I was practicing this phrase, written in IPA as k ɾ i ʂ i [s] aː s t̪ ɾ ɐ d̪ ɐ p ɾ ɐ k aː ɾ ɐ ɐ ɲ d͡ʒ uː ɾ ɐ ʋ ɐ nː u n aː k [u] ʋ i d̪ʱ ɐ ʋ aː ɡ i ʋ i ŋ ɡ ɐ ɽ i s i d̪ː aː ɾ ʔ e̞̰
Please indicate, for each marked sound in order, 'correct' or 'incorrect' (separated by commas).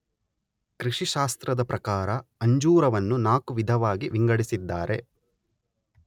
incorrect, correct